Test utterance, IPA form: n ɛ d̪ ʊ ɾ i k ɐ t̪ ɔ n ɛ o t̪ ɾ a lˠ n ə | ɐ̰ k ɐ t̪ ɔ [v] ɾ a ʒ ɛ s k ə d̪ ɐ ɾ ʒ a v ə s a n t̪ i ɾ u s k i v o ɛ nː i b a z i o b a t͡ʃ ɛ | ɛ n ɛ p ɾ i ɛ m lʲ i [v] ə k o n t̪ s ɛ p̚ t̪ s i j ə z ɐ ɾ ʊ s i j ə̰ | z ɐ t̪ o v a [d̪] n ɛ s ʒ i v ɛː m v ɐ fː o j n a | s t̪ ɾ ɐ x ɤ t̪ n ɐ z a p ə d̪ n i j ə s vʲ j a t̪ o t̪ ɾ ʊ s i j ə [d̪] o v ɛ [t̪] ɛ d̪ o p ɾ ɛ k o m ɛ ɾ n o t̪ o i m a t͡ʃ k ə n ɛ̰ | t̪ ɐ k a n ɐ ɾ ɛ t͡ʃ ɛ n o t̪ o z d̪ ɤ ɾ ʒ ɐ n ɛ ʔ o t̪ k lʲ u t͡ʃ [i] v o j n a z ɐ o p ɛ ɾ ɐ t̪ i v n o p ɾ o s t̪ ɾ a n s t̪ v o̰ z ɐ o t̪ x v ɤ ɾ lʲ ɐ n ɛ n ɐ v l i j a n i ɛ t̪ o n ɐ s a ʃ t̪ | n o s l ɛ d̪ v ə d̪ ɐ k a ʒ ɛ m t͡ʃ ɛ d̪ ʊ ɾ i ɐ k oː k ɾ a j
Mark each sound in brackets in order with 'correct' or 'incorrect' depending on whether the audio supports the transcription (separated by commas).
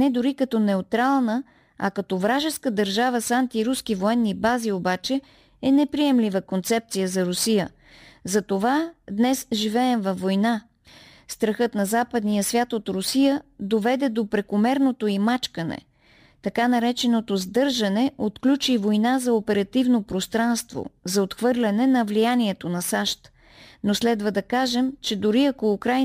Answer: correct, correct, correct, correct, incorrect, correct